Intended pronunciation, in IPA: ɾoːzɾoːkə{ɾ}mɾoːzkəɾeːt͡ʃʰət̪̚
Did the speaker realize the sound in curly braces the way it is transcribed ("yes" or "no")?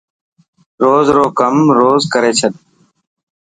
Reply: no